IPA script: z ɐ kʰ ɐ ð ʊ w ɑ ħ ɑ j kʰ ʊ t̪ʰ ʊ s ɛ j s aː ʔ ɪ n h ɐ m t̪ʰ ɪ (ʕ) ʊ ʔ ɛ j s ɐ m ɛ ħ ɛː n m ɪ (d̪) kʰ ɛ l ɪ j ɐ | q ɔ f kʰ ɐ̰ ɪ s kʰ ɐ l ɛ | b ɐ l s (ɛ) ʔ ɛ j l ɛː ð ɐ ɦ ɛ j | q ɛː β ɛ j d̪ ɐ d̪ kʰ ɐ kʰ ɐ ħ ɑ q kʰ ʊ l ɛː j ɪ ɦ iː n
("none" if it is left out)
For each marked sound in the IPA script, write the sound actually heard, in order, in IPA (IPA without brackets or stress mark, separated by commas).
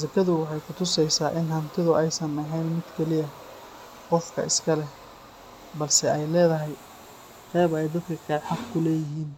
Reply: ð, d̪, ɛ